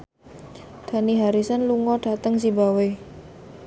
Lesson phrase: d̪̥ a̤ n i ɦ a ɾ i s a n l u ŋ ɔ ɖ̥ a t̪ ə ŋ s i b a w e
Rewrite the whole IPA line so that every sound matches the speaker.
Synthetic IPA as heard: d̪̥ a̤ n i ɦ a ɾ i s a n l u ŋ ɔ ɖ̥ a t̪ ə ŋ s i b a w e